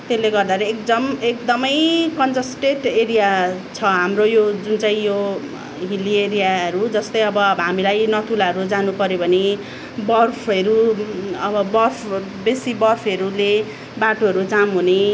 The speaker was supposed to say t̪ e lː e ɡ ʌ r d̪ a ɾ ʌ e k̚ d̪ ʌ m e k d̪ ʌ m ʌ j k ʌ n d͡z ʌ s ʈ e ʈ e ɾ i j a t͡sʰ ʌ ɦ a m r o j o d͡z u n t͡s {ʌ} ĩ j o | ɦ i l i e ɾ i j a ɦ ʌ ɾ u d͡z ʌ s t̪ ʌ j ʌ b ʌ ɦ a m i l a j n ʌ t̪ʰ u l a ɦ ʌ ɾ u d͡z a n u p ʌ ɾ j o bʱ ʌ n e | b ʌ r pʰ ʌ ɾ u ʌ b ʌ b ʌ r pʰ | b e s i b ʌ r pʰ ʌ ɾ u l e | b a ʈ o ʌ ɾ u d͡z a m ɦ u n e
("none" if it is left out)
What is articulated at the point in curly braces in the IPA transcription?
a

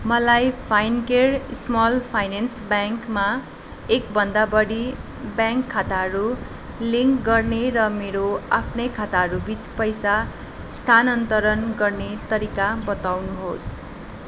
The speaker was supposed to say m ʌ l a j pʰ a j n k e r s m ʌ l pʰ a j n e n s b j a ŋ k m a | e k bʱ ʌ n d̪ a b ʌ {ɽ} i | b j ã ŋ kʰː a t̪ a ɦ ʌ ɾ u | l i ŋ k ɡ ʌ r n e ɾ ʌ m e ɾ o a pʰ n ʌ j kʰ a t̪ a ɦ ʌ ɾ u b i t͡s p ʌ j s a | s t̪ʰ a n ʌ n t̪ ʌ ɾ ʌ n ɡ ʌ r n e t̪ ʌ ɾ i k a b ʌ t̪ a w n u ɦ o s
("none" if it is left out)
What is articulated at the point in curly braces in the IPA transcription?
ɽ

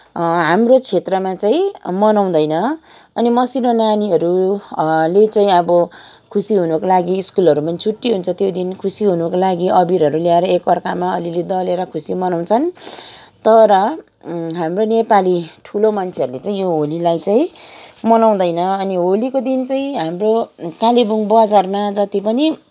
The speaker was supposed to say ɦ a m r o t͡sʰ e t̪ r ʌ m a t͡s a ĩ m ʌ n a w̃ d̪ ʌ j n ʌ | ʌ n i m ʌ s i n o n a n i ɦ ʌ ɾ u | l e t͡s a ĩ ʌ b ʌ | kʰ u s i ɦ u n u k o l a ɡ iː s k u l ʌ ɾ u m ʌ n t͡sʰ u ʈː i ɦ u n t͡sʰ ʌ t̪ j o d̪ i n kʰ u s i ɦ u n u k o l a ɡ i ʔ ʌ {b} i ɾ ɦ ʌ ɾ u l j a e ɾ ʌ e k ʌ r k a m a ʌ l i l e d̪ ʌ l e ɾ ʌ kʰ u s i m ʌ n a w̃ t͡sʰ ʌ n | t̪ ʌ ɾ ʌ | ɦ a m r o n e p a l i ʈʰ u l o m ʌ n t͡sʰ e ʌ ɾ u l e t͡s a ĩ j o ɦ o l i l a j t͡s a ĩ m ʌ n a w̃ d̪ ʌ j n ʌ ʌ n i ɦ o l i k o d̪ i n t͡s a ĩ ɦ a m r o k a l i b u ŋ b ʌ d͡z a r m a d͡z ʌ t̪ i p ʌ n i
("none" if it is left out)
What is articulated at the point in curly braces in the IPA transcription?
b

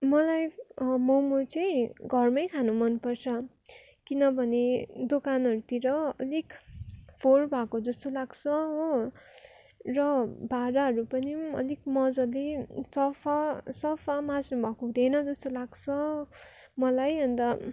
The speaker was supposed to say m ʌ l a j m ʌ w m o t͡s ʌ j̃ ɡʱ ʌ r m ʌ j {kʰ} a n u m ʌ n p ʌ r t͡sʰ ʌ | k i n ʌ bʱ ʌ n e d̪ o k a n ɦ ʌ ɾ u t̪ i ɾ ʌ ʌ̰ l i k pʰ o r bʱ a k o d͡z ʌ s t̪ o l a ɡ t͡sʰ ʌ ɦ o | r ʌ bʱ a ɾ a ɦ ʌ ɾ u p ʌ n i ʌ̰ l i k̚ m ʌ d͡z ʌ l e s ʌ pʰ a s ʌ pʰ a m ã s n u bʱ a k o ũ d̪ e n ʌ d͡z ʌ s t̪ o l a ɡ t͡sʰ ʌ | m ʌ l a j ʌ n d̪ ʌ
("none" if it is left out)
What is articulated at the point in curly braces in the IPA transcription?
kʰ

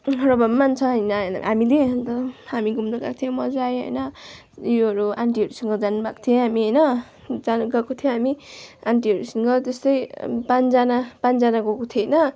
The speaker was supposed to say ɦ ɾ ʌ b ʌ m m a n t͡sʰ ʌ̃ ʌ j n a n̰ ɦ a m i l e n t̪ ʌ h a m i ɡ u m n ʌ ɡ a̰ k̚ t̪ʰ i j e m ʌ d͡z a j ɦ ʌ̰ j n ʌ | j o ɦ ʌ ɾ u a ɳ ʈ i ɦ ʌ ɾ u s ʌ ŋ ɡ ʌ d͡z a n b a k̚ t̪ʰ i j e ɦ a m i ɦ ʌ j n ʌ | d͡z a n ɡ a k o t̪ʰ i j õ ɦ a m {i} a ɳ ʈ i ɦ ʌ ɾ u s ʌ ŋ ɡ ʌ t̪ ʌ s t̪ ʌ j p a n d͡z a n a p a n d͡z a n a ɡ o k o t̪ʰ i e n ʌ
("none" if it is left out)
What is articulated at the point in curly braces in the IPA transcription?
i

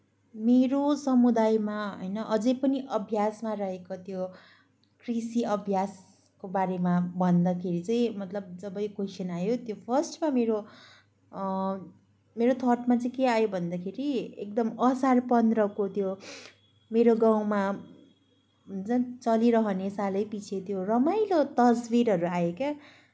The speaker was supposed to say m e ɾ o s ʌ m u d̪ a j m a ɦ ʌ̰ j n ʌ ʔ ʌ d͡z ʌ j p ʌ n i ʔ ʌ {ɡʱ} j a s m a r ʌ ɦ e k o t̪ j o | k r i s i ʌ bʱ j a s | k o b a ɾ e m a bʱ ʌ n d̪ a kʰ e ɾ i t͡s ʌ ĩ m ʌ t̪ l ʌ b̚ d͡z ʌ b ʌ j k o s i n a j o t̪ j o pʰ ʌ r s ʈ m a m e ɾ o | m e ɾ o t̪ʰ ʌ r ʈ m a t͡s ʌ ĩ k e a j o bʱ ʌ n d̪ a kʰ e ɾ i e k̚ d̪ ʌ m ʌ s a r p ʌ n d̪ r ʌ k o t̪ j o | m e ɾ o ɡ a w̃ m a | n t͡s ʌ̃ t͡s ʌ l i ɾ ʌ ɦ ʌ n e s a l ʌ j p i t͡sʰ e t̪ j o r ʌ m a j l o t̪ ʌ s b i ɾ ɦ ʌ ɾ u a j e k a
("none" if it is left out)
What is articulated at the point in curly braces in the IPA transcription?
bʱ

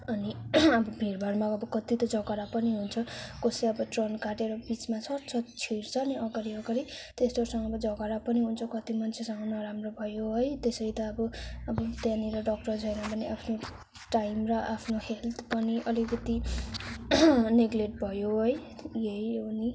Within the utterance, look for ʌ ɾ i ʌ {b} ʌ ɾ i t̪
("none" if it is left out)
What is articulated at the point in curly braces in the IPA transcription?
ɡ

